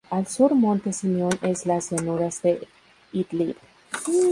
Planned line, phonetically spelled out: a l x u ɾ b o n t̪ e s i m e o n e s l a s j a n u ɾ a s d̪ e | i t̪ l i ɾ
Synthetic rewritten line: a l s u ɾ m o n t̪ e s i m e o n e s l a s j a n u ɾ a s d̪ e | i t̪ l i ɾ